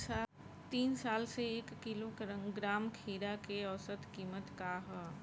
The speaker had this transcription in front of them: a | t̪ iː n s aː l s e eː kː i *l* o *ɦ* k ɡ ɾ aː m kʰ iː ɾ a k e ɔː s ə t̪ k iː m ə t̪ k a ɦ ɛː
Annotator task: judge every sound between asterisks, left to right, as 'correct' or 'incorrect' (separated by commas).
correct, incorrect